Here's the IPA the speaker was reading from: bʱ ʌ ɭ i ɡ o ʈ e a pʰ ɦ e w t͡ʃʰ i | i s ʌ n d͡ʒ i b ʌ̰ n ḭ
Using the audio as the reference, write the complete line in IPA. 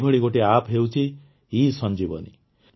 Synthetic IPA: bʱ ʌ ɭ i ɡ o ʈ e a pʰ ɦ e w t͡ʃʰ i | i s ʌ n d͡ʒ i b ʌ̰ n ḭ